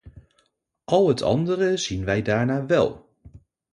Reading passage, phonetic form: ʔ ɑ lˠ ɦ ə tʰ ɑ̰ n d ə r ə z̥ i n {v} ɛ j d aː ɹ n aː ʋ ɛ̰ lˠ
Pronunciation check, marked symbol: incorrect: ʋ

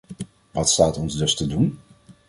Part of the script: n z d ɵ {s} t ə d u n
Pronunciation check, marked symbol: correct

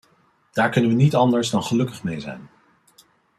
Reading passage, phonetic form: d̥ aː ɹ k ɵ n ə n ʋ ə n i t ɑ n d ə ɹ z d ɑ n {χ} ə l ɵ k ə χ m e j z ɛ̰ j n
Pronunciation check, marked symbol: correct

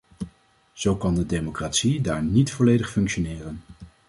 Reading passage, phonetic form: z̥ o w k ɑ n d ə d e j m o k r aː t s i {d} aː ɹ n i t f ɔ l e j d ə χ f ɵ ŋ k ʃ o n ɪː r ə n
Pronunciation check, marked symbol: correct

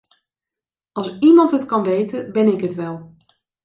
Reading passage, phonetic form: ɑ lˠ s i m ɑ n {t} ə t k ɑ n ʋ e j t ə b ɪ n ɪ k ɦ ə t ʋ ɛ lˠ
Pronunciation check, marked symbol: correct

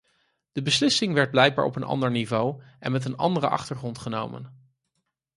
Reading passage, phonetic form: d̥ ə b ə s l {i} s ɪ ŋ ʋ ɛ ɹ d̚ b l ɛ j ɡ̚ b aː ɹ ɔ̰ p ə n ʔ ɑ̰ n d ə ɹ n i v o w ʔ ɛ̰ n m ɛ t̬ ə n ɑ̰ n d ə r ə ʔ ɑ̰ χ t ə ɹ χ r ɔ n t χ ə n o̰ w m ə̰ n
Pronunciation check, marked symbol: incorrect: ɪ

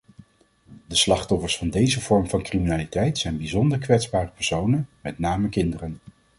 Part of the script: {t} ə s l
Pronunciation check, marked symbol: incorrect: d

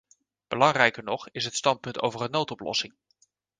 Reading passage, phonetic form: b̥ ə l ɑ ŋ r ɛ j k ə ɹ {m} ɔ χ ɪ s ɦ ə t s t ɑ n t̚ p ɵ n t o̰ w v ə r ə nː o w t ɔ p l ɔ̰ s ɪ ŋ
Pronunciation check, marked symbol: incorrect: n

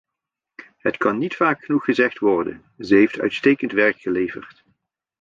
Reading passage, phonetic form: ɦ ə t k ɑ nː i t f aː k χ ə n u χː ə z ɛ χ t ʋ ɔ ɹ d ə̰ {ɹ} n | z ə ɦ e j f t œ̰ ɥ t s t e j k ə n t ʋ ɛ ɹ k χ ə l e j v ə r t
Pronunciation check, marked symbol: incorrect: none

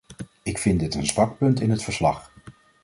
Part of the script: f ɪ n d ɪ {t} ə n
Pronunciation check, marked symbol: correct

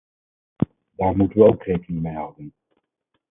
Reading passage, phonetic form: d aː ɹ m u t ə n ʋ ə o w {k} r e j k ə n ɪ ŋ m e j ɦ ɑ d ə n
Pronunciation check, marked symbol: correct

